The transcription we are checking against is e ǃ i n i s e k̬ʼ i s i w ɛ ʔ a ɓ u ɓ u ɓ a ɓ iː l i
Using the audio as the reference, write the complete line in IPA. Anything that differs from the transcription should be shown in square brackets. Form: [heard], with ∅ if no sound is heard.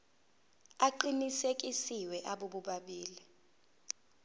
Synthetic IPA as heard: [a] ǃ i n i s e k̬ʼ i s i w ɛ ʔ a ɓ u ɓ u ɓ a ɓ iː l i

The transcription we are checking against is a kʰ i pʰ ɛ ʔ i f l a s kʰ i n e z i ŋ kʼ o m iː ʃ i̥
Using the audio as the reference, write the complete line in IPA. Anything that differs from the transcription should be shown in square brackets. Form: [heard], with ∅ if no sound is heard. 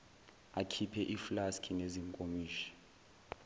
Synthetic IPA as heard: a kʰ i pʰ ɛ ʔ i f l a s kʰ i n e z i ŋ kʼ o m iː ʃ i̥

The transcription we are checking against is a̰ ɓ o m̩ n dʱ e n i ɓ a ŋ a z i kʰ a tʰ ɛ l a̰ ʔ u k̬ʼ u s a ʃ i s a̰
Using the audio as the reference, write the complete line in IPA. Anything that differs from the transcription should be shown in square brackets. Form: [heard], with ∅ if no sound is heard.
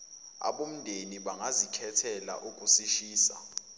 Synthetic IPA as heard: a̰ ɓ o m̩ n dʱ e n i ɓ a ŋ a z i kʰ [ɛ] tʰ ɛ l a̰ ʔ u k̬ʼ u s [i] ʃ [iː] s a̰

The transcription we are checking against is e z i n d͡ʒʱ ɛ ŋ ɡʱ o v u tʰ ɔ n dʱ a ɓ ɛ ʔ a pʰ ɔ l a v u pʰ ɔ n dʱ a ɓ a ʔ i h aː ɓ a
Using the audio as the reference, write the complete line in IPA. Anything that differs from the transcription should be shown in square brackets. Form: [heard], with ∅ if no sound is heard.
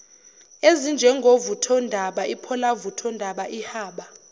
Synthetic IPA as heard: e z i n d͡ʒʱ ɛ ŋ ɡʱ o v u tʰ ɔ n dʱ a ɓ [a] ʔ [i] pʰ ɔ l a v u [tʰ] ɔ n dʱ a ɓ a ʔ i h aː ɓ a

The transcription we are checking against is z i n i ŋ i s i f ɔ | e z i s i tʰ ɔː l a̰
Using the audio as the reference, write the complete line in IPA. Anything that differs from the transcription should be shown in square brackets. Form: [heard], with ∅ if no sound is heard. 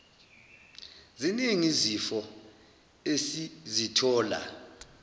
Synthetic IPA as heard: z i n i ŋ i [z] i f ɔ | e [s] i [z] i tʰ ɔː l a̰

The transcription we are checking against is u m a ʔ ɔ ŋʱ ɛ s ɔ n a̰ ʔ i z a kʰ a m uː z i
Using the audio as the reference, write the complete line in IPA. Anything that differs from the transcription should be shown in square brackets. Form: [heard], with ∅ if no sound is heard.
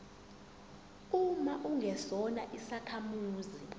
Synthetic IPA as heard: u m a ʔ [u] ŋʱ ɛ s ɔ n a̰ ʔ i [s] a kʰ a m uː z i

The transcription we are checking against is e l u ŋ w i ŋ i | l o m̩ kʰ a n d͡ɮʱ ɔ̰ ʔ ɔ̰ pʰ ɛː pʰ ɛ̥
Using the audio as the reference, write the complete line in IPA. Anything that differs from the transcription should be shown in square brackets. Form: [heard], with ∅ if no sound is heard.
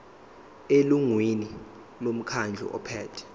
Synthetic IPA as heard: e l u ŋ w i [n] i | l o m̩ kʰ a n d͡ɮʱ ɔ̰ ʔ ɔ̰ pʰ ɛː [tʰ] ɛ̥

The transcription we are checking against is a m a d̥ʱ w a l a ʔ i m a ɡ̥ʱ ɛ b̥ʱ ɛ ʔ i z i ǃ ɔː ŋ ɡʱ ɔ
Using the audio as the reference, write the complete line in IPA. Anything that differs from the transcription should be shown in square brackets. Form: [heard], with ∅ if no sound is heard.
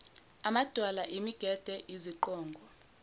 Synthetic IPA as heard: a m a d̥ʱ w a l a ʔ i m [i] ɡ̥ʱ ɛ [d̥ʱ] ɛ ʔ i z i ǃ ɔː ŋ ɡʱ ɔ

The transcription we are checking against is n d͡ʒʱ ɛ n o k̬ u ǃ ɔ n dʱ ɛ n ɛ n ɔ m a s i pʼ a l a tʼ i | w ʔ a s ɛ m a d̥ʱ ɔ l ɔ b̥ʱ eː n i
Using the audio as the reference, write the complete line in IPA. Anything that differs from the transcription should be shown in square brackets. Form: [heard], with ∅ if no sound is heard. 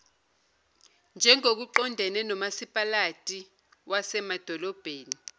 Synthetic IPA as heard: n d͡ʒʱ ɛ [ŋ] o k̬ u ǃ ɔ n dʱ ɛ n ɛ n ɔ m a s i pʼ a l a tʼ i | w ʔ a s ɛ m a d̥ʱ ɔ l ɔ b̥ʱ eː n i

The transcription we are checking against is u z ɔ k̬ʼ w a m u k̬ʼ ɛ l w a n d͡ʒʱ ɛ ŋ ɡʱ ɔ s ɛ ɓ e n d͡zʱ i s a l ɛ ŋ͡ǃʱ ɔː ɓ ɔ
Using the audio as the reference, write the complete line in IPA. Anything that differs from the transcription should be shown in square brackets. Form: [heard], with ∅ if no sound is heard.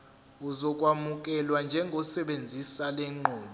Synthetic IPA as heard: u z ɔ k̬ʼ w a m u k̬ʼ ɛ l w a n d͡ʒʱ ɛ ŋ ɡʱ ɔ s ɛ ɓ e n d͡zʱ i s a l ɛ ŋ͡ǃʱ ɔː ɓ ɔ

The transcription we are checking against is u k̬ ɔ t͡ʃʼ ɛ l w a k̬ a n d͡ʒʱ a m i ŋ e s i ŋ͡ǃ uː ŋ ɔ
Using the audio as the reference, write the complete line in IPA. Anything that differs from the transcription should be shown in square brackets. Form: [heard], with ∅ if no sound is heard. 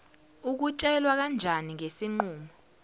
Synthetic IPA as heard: u k̬ [u] t͡ʃʼ ɛ l w a k̬ a n d͡ʒʱ a [n] i ŋ e s i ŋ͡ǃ uː [m] ɔ

